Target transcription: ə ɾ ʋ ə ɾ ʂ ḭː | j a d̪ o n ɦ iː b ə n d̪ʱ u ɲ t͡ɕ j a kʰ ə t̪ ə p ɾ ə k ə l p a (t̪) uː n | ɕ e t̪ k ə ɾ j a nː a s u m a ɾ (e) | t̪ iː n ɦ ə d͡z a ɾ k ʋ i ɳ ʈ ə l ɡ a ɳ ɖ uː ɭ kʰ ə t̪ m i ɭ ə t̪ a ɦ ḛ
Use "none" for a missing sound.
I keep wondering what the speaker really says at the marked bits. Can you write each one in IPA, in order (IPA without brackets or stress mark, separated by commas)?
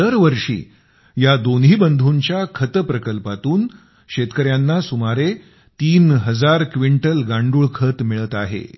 t̪, e